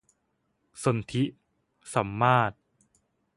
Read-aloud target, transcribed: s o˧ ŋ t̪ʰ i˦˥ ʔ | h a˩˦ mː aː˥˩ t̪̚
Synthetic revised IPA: s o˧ n t̪ʰ i˦˥ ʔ | s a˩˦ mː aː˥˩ t̪̚